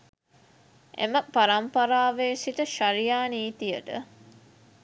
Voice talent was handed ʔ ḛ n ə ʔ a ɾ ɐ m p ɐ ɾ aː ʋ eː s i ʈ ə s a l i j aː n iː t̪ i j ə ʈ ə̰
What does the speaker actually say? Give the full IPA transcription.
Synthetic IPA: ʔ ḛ m ə p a ɾ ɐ m p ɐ ɾ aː ʋ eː s i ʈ ə ʃ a ɾ i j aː n iː t̪ i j ə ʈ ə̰